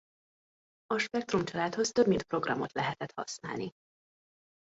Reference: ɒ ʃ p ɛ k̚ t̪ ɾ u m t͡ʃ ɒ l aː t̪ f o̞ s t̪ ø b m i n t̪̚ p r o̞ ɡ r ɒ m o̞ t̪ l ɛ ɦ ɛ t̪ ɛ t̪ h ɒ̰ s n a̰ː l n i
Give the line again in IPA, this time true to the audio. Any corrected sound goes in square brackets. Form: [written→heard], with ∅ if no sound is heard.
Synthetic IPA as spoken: ɒ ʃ p ɛ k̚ t̪ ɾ u m t͡ʃ ɒ l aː t̪ [f→h] o̞ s t̪ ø b m i n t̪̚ p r o̞ ɡ r ɒ m o̞ t̪ l ɛ ɦ ɛ t̪ ɛ t̪ h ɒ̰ s n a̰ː l n i